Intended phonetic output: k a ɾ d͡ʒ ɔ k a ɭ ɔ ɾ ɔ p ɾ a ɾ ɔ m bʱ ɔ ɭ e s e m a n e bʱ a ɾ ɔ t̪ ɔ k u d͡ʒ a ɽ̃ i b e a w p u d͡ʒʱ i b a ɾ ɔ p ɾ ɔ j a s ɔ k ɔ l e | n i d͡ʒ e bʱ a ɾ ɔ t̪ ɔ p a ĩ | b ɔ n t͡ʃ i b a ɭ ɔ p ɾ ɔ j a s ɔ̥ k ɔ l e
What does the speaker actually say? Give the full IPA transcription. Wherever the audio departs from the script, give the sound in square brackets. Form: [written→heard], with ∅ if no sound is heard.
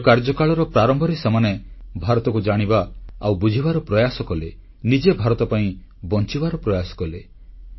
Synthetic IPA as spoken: k a ɾ d͡ʒ ɔ k a ɭ ɔ ɾ ɔ p ɾ a ɾ ɔ m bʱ ɔ [ɭ→ɾ] e s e m a n e bʱ a ɾ ɔ t̪ ɔ k u d͡ʒ a ɽ̃ i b [e→a] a w [p→b] u d͡ʒʱ i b a ɾ ɔ p ɾ ɔ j a s ɔ k ɔ l e | n i d͡ʒ e bʱ a ɾ ɔ t̪ ɔ p a ĩ | b ɔ n t͡ʃ i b a [ɭ→ɾ] ɔ p ɾ ɔ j a s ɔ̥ k ɔ l e

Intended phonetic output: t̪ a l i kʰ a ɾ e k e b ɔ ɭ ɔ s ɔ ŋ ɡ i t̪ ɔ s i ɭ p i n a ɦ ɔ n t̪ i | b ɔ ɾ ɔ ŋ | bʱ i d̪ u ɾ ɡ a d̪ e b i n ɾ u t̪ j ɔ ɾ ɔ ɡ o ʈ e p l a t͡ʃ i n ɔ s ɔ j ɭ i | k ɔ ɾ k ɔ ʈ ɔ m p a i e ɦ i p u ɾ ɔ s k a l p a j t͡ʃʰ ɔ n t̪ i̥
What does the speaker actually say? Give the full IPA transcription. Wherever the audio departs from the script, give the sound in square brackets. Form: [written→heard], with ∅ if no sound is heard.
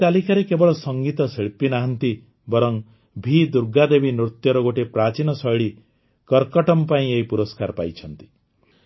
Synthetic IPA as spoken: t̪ a l i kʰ a ɾ e k e b ɔ ɭ ɔ s ɔ ŋ ɡ i t̪ ɔ s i ɭ p i n a ɦ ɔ n t̪ i | b ɔ ɾ ɔ ŋ | bʱ i d̪ u ɾ ɡ a d̪ e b i n ɾ u t̪ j ɔ ɾ ɔ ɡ o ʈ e p [l→ɾ] a t͡ʃ i n ɔ s ɔ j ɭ i | k ɔ ɾ k ɔ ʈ ɔ m p a [i→ĩ] e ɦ i p u ɾ ɔ s k a [l→ɾ] p a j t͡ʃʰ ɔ n t̪ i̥

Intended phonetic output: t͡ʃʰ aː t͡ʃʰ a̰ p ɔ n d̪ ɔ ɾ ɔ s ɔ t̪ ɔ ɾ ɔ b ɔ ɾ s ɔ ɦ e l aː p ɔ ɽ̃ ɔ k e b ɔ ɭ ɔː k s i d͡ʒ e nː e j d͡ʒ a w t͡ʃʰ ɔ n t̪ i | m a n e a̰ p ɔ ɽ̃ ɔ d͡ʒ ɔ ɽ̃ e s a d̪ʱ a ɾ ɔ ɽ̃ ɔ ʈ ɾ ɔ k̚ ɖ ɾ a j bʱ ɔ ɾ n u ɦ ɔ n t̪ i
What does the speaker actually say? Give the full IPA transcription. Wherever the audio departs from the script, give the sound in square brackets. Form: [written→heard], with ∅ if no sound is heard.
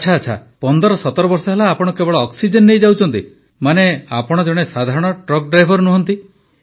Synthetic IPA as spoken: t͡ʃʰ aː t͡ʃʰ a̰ p ɔ n d̪ ɔ ɾ ɔ s ɔ t̪ ɔ ɾ ɔ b ɔ ɾ s ɔ ɦ e l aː p ɔ ɽ̃ ɔ k e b ɔ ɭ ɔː k s i d͡ʒ e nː e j d͡ʒ a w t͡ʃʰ ɔ n t̪ i | m a n e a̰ p ɔ ɽ̃ ɔ d͡ʒ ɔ ɽ̃ e s a d̪ʱ a ɾ ɔ ɽ̃ ɔ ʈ ɾ ɔ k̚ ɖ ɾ a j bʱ ɔ ɾ n u ɦ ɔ n t̪ i

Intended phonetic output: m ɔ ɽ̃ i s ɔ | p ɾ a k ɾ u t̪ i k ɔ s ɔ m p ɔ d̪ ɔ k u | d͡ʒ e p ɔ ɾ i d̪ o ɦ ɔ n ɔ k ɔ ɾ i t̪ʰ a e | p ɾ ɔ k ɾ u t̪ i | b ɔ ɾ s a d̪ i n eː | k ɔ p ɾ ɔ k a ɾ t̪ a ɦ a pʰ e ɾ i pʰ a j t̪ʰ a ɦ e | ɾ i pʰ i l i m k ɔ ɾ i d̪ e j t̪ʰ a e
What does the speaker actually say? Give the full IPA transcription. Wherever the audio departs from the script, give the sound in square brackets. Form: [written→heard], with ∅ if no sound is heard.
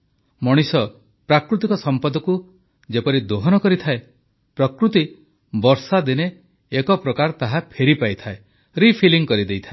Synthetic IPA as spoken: m ɔ ɽ̃ i s ɔ | p ɾ a k ɾ u t̪ i k ɔ s ɔ m p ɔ d̪ ɔ k u | d͡ʒ e p ɔ ɾ i d̪ o ɦ ɔ n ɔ k ɔ ɾ i t̪ʰ a e | p ɾ ɔ k ɾ u t̪ i | b ɔ ɾ s a d̪ i n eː | k ɔ p ɾ ɔ k a ɾ t̪ a ɦ a pʰ e ɾ i [pʰ→p] a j t̪ʰ a [ɦ→∅] e | ɾ i pʰ i l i [m→ŋ] k ɔ ɾ i d̪ e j t̪ʰ a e

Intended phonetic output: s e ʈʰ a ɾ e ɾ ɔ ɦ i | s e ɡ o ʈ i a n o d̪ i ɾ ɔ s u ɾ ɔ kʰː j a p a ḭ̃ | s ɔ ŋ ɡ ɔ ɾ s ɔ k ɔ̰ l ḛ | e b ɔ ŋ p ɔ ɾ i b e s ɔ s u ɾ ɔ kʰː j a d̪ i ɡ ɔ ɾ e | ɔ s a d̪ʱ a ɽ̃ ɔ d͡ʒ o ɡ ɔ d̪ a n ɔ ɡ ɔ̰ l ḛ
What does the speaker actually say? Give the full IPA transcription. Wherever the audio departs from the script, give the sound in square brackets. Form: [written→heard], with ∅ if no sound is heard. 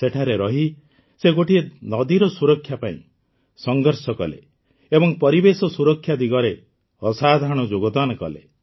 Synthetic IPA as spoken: s e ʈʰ a ɾ e ɾ ɔ ɦ i | s e ɡ o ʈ i [a→e] n [o→ɔ] d̪ i ɾ ɔ s u ɾ ɔ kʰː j a p a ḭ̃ | s ɔ ŋ ɡ ɔ ɾ s ɔ k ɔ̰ l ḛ | e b ɔ ŋ p ɔ ɾ i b e s ɔ s u ɾ ɔ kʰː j a d̪ i ɡ ɔ ɾ e | ɔ s a d̪ʱ a ɽ̃ ɔ d͡ʒ o ɡ ɔ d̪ a n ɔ [ɡ→k] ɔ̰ l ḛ

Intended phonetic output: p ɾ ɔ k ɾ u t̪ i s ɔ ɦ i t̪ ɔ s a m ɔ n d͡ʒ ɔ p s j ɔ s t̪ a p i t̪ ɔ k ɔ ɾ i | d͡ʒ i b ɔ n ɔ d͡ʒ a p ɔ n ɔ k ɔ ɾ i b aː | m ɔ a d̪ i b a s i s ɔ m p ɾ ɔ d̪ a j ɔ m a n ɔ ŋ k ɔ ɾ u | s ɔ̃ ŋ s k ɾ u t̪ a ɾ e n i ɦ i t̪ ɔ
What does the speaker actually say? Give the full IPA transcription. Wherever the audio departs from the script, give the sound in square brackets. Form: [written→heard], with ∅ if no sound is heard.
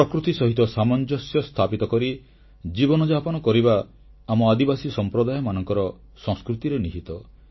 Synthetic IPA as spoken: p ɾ ɔ k ɾ u t̪ i s ɔ ɦ i t̪ ɔ s a m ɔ n d͡ʒ ɔ [p→∅] s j ɔ s [t̪→t̪ʰ] a p i t̪ ɔ k ɔ ɾ i | d͡ʒ i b ɔ n ɔ d͡ʒ a p ɔ n ɔ k ɔ ɾ i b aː | m ɔ a d̪ i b a s i s ɔ m p ɾ ɔ d̪ a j ɔ m a n ɔ ŋ k ɔ ɾ [u→ɔ] | s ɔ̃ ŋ s k ɾ u t̪ [a→i] ɾ e n i ɦ i t̪ ɔ

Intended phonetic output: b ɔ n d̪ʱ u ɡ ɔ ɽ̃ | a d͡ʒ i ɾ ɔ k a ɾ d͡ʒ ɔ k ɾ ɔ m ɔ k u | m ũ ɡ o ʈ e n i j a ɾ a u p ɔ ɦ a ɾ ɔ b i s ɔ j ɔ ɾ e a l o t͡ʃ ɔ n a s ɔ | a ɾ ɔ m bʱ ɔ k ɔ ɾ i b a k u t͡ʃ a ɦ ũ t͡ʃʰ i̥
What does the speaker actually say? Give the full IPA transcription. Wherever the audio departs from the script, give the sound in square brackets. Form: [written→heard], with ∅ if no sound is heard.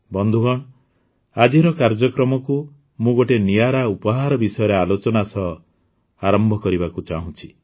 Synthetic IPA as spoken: b ɔ n d̪ʱ u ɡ ɔ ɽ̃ | a d͡ʒ i ɾ ɔ k a ɾ d͡ʒ ɔ k ɾ ɔ m ɔ k u | m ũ ɡ o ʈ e n i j a ɾ a u p ɔ ɦ a ɾ ɔ b i s ɔ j ɔ ɾ e a l o t͡ʃ ɔ n a s ɔ | a ɾ ɔ m bʱ ɔ k ɔ ɾ i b a k u t͡ʃ a ɦ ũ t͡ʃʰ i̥

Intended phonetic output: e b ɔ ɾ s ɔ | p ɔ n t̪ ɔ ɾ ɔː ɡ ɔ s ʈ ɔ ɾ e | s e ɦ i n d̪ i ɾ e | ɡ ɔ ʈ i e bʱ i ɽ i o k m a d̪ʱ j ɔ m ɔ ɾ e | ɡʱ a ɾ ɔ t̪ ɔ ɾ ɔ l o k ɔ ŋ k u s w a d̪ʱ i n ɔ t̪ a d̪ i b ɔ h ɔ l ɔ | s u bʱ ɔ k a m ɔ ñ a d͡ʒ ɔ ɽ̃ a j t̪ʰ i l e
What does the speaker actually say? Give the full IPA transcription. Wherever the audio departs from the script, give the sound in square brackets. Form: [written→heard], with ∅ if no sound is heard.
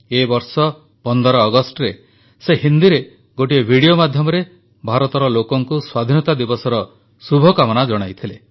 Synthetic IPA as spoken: e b ɔ ɾ s ɔ | p ɔ n [t̪→d̪] ɔ ɾ ɔː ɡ ɔ s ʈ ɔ ɾ e | s e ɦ i n d̪ i ɾ e | ɡ [ɔ→o] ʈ i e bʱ i ɽ i o [k→∅] m a d̪ʱ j ɔ m ɔ ɾ e | [ɡʱ→bʱ] a ɾ ɔ t̪ ɔ ɾ ɔ l o k ɔ ŋ k u s w a d̪ʱ i n ɔ t̪ a d̪ i b ɔ [h→s] ɔ [l→ɾ] ɔ | s u bʱ ɔ k a m ɔ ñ a d͡ʒ ɔ ɽ̃ a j t̪ʰ i l e

